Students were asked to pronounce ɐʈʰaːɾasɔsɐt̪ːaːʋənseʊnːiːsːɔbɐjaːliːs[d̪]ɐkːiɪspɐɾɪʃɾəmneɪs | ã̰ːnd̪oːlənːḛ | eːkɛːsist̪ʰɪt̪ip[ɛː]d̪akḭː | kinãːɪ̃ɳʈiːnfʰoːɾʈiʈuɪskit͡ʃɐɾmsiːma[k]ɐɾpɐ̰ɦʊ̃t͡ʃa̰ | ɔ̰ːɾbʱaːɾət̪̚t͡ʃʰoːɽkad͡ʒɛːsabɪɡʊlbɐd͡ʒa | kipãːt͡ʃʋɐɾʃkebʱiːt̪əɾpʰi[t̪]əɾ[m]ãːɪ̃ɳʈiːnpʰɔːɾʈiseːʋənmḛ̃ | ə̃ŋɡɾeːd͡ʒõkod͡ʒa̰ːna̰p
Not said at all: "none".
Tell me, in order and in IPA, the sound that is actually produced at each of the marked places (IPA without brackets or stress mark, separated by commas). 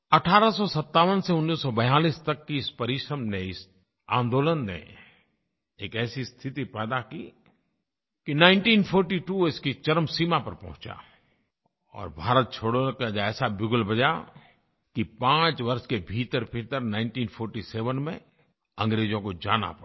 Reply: t̪, ɛː, p, t̪, n